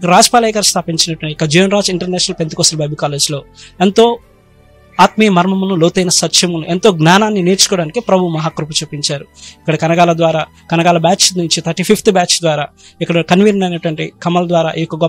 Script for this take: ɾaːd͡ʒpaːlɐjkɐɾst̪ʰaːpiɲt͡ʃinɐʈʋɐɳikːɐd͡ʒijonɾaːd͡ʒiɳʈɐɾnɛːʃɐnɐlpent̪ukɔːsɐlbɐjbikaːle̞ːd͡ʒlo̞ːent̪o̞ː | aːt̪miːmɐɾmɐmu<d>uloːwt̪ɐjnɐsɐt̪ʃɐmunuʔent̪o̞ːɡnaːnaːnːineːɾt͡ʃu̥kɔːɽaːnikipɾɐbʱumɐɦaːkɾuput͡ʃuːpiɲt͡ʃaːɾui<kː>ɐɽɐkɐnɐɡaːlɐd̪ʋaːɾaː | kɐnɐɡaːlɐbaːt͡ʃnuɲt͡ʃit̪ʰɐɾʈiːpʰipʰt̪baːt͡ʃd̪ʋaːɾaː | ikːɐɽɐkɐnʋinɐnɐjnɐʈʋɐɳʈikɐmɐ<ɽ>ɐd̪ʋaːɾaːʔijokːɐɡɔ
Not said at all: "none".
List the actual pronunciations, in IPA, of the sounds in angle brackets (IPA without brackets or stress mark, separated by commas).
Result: n, kː, l